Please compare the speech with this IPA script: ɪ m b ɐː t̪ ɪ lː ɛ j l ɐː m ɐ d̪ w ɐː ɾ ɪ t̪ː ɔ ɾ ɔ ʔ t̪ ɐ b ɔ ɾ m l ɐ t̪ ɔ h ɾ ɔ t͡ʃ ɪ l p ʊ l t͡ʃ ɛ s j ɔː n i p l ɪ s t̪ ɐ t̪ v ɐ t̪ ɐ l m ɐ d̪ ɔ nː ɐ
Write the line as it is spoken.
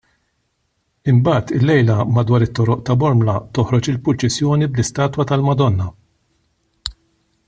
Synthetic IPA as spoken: ɪ m b ɐː t̪ ɪ lː ɛ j l ɐ m ɐ d̪ w ɐː ɾ ɪ t̪ː ɔ ɾ ɔ ʔ t̪ ɐ b ɔ ɾ m l ɐ t̪ ɔ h ɾ ɔ t͡ʃ ɪ l p ʊ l t͡ʃ ɛ s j ɔː n i b l ɪ s t̪ ɐː t̪ w ɐ t̪ ɐ l m ɐ d̪ ɔ nː ɐ